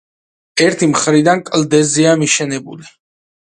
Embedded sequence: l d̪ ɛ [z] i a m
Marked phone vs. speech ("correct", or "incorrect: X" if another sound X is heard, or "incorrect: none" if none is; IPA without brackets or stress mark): correct